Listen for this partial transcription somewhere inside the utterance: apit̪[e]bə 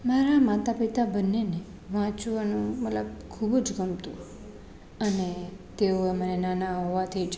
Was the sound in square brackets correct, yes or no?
no